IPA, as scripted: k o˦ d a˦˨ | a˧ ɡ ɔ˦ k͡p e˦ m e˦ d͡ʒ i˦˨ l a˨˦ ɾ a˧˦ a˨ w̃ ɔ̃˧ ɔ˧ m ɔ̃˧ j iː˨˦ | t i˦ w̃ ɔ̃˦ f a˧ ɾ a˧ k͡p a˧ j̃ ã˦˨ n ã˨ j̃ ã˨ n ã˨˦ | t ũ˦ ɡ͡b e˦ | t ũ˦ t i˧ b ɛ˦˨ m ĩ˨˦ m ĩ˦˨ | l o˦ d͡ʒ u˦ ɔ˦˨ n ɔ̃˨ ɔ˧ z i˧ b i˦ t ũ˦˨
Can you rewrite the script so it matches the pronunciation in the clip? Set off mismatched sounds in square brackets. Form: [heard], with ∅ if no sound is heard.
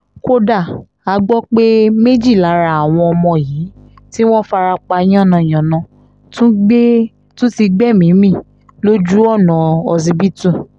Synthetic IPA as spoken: k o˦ d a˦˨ | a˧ [ɡ͡b] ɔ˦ k͡p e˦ m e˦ d͡ʒ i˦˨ l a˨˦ ɾ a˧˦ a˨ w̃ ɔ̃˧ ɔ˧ m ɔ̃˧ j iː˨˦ | t i˦ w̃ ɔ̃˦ f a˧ ɾ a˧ k͡p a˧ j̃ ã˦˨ n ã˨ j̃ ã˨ n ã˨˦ | t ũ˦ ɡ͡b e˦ | t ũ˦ t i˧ [ɡ͡b] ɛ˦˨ m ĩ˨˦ m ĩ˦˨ | l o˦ d͡ʒ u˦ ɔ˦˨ n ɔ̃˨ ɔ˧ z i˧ b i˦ t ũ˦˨